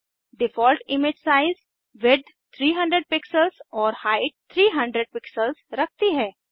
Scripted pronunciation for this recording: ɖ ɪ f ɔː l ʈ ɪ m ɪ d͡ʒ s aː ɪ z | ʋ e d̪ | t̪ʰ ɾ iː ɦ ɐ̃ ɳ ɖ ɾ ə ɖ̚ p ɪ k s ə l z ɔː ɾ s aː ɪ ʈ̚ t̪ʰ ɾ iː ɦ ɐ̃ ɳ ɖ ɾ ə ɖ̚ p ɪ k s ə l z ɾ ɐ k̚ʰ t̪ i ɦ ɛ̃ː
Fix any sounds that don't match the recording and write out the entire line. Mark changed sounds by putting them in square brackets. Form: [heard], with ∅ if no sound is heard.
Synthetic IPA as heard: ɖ ɪ f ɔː l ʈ ɪ m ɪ d͡ʒ s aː ɪ z | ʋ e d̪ | t̪ʰ ɾ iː ɦ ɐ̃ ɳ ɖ ɾ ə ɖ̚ p ɪ k s ə l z ɔː ɾ [h] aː ɪ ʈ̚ t̪ʰ ɾ iː ɦ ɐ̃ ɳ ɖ ɾ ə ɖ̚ p ɪ k s ə l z ɾ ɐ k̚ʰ t̪ i ɦ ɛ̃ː